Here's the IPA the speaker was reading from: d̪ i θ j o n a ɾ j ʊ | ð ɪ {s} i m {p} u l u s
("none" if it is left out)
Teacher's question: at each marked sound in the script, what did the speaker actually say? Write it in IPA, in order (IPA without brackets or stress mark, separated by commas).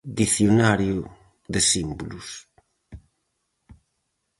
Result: s, b